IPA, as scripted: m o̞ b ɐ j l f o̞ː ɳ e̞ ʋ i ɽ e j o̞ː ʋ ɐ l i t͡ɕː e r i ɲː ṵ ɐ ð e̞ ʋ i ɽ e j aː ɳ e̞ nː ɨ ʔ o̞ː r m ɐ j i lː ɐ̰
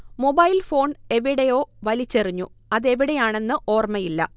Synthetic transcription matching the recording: m o̞ b ɐ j l f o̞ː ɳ e̞ ʋ i ɽ e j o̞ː ʋ ɐ l i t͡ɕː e r i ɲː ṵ ɐ ð e̞ ʋ i ɽ e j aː ɳ e̞ nː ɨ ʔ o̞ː r m ɐ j i lː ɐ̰